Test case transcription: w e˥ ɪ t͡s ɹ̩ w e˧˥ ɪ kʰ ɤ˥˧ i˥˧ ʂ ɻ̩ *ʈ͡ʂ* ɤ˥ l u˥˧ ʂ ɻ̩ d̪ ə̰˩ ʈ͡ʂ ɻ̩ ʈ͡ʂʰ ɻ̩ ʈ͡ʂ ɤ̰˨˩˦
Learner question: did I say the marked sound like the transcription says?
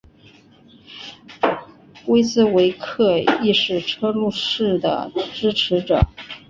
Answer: no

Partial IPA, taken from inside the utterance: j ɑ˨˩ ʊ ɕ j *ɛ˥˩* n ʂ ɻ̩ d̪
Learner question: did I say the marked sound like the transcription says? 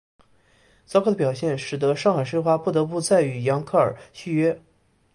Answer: yes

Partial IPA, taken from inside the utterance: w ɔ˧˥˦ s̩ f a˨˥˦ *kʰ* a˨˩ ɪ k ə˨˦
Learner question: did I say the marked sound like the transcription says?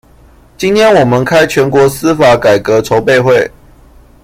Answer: no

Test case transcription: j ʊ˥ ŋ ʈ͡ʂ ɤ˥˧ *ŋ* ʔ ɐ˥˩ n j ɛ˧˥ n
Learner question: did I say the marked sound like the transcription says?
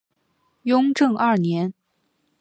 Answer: yes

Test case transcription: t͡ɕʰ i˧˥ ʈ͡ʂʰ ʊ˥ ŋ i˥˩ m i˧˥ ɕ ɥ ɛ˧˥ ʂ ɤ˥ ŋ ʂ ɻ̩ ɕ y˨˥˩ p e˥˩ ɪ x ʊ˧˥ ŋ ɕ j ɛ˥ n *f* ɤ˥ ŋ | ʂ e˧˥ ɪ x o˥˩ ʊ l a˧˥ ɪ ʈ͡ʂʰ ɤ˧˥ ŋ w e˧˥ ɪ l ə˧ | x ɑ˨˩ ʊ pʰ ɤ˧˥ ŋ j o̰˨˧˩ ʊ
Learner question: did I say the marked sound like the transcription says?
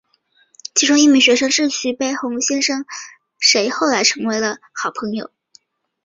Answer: no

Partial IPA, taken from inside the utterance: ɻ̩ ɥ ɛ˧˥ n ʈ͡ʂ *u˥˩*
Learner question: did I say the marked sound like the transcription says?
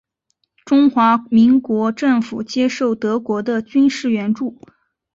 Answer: yes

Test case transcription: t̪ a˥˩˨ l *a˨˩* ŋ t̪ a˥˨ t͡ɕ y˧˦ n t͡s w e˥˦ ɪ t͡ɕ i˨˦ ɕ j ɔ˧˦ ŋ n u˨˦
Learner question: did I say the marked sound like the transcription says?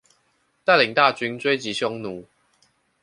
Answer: no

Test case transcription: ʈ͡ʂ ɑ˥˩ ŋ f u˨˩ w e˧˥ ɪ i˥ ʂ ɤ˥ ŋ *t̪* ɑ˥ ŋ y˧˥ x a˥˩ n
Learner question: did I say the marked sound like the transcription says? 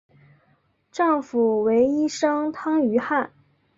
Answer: no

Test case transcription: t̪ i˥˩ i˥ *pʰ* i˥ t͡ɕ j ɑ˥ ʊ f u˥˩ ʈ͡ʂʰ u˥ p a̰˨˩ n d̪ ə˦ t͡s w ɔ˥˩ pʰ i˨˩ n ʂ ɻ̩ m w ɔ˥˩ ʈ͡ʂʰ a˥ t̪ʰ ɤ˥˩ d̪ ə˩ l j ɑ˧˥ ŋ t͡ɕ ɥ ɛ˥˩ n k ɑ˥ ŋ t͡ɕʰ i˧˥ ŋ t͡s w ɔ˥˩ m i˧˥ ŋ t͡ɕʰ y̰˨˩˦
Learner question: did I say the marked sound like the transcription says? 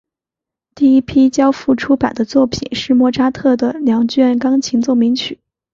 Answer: yes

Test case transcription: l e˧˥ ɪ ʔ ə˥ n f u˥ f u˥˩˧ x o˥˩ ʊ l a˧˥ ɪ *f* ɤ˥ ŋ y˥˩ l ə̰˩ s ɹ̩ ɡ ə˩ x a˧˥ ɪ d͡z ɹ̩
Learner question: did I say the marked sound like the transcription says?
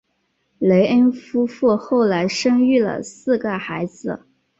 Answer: no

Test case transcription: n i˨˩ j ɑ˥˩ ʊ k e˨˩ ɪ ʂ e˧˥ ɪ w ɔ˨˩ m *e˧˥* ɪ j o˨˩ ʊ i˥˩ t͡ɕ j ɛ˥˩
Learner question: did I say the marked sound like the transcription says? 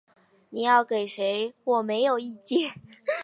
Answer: yes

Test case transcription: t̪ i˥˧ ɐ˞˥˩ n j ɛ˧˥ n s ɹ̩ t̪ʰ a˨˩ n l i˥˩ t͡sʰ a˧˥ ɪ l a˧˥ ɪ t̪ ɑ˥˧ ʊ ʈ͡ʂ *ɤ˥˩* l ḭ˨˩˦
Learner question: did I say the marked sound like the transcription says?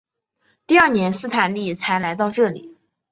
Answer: yes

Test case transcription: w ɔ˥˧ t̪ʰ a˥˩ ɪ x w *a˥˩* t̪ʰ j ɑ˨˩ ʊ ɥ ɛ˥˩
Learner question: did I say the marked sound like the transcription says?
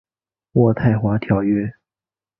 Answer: no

